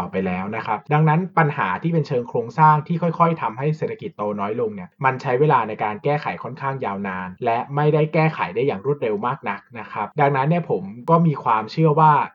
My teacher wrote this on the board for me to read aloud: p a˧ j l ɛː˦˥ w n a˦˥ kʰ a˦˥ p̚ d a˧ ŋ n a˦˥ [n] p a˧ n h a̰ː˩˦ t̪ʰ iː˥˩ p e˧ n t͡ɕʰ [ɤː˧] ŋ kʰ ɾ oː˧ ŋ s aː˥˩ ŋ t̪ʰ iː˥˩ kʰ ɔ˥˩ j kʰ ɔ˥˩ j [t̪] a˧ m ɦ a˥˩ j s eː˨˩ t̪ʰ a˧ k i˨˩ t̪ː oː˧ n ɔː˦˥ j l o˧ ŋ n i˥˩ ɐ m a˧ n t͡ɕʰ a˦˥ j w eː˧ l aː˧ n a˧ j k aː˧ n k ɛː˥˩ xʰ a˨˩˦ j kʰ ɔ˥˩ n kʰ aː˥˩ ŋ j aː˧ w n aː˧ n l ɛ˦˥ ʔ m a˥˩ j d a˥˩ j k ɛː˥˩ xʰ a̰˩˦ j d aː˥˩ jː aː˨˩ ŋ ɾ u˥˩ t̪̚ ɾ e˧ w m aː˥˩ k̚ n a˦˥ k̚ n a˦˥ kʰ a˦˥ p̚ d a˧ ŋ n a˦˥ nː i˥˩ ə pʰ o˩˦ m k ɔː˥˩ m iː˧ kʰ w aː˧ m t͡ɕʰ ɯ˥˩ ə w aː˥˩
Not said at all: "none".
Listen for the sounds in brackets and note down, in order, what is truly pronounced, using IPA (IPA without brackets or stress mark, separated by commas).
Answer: n, ɤː˧, t̪ʰ